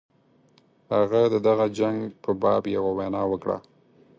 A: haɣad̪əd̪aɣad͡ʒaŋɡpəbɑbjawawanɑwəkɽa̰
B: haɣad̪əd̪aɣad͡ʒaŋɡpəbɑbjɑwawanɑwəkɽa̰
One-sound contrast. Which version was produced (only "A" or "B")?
A